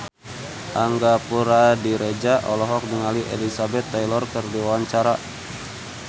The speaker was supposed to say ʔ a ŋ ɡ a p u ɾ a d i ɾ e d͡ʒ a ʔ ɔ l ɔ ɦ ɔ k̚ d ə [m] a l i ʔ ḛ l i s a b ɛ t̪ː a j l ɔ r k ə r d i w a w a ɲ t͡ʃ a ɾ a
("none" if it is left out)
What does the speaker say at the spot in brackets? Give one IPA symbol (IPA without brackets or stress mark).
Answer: ŋ